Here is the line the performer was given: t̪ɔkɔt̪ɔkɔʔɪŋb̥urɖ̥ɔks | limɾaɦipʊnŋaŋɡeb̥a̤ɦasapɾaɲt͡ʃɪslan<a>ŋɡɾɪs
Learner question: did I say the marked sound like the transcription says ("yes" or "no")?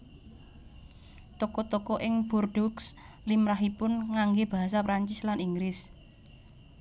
no